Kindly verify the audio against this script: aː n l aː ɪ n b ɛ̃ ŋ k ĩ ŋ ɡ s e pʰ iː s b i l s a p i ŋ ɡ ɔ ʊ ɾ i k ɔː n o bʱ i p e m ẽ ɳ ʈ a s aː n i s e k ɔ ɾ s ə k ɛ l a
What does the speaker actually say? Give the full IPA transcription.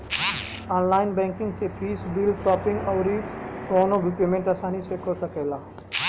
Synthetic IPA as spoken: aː n l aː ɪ n b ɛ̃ ŋ k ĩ ŋ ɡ s e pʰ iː s b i l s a p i ŋ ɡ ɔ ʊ ɾ i k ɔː n o bʱ i p e m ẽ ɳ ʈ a s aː n i s e k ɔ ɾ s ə k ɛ l a